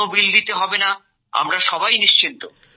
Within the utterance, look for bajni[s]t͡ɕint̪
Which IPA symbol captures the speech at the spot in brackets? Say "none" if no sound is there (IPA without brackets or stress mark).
ʃ